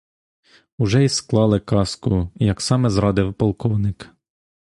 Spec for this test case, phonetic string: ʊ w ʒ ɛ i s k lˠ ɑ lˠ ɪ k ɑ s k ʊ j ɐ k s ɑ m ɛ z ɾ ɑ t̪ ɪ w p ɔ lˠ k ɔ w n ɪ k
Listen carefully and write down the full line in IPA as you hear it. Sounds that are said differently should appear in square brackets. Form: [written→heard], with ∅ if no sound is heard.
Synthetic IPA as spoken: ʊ [w→∅] ʒ ɛ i s k lˠ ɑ lˠ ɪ k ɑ s k ʊ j ɐ k s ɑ m ɛ z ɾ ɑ [t̪→d̪] ɪ w p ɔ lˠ k ɔ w n ɪ k